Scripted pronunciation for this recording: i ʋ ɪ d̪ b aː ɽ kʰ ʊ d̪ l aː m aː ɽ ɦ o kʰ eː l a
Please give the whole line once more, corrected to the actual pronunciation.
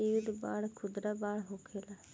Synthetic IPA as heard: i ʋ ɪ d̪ b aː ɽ kʰ ʊ d̪ ɾ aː b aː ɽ ɦ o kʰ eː l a